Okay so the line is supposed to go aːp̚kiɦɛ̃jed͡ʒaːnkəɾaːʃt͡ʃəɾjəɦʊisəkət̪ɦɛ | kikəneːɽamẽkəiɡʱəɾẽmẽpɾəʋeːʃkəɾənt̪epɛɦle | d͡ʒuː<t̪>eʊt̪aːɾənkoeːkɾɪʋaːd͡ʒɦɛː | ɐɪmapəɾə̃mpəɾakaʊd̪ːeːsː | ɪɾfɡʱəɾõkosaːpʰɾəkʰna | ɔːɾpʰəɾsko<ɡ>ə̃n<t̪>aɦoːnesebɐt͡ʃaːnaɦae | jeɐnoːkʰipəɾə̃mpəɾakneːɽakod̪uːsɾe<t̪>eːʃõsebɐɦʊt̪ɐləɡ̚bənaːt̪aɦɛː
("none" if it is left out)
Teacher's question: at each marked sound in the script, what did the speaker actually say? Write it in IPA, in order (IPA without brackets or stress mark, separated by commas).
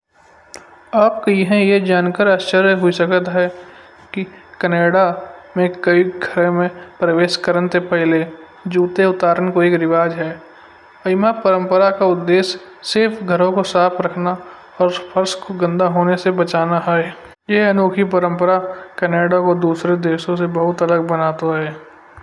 t̪, ɡ, d̪, d̪